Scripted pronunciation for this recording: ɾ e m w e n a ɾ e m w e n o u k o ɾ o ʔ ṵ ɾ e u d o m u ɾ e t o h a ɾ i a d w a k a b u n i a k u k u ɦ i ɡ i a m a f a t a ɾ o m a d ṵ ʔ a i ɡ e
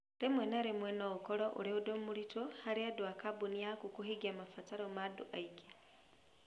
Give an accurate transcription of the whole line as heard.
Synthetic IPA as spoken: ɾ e m w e n a ɾ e m w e n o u k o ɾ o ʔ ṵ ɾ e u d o m u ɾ i t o h a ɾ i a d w a k a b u n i a k u k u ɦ i ɡ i a m a f a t a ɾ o m a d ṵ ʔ a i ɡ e